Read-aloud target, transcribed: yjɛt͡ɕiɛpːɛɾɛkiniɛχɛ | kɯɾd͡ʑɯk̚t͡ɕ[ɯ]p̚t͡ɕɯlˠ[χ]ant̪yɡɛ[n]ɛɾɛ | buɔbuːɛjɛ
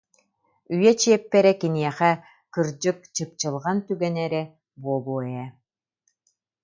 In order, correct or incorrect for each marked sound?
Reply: correct, incorrect: ʁ, correct

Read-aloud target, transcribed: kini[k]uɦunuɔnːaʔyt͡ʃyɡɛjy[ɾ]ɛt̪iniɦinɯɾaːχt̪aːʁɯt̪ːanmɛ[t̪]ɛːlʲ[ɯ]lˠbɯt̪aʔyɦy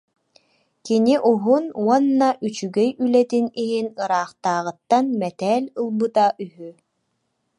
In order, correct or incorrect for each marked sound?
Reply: incorrect: ʔ, incorrect: l, correct, correct

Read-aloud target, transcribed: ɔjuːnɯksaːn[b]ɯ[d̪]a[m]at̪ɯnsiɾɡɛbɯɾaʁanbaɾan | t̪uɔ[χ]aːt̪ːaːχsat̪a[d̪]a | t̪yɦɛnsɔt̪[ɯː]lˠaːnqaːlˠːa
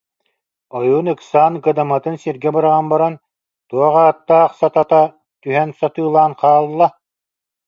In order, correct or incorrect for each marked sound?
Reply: incorrect: ɡ, correct, correct, incorrect: ʁ, incorrect: t̪, correct

